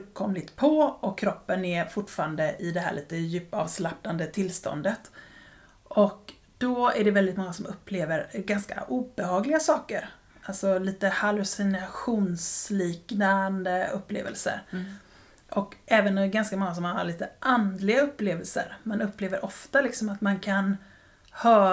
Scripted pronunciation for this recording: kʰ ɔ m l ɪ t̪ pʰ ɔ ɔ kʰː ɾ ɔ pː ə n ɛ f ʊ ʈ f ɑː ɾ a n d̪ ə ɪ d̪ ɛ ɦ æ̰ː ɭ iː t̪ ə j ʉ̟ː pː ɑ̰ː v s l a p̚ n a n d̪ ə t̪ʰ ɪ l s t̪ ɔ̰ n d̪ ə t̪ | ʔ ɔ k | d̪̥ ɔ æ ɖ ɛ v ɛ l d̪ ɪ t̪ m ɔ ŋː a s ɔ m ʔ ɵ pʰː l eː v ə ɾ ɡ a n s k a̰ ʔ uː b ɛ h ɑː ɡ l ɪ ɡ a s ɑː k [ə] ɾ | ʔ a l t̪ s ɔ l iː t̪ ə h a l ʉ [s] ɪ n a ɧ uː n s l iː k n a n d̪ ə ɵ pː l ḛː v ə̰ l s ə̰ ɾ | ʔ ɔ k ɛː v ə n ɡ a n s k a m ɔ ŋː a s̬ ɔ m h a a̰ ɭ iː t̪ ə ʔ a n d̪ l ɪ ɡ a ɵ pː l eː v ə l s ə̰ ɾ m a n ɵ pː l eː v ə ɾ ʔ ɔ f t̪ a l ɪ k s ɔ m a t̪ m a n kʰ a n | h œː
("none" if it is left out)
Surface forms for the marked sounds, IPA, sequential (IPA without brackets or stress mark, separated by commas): ə, s